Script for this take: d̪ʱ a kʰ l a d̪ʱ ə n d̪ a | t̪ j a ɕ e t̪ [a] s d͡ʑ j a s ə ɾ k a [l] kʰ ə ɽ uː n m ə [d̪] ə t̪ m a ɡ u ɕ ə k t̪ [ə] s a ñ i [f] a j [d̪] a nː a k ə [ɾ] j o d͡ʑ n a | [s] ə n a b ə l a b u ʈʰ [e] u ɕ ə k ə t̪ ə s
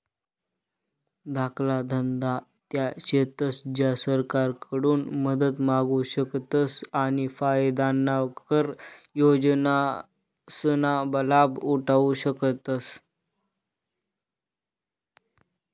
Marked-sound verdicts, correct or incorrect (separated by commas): incorrect, incorrect, correct, correct, correct, correct, correct, correct, incorrect